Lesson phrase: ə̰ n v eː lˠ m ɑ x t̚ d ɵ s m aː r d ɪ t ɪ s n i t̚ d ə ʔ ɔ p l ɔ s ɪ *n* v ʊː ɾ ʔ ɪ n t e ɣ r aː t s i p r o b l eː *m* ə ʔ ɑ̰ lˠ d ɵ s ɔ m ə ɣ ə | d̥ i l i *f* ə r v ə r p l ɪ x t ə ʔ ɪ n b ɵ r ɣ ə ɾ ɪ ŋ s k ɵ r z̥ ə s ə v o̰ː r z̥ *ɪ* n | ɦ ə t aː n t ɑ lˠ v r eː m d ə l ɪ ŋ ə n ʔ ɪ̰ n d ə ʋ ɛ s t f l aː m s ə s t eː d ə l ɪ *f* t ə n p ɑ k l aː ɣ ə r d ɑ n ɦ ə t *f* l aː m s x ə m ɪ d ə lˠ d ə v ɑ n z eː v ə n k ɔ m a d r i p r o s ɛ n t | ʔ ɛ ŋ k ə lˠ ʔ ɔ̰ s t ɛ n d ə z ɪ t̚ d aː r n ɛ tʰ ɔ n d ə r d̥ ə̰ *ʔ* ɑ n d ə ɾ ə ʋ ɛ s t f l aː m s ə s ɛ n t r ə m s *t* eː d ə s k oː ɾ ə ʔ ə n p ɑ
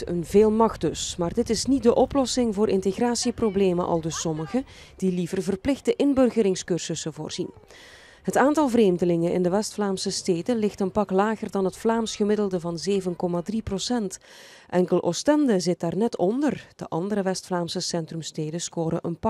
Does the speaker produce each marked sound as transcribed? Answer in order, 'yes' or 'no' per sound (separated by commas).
no, yes, no, no, no, yes, yes, yes